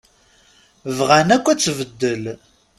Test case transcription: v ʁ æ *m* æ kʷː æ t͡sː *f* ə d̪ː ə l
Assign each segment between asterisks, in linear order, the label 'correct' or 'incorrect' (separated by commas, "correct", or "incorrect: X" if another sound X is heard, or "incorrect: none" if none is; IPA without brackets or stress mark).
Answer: incorrect: n, incorrect: v